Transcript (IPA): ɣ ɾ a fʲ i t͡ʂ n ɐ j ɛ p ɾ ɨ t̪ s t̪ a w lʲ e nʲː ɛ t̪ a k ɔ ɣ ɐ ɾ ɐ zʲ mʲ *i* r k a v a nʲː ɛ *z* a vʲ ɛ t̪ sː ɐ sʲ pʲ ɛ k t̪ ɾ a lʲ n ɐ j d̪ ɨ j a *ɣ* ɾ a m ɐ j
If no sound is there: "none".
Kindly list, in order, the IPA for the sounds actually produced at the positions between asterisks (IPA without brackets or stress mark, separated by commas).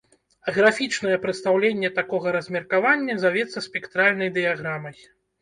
ɛ, z, ɣ